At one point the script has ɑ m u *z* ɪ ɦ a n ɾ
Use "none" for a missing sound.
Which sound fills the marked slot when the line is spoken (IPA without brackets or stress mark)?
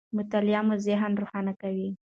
z